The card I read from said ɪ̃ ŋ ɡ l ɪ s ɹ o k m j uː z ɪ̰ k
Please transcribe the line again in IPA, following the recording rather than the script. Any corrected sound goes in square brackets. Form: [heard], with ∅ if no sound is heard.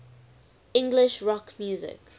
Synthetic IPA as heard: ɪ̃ ŋ ɡ l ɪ [ʃ] ɹ [ɔ] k m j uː z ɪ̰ k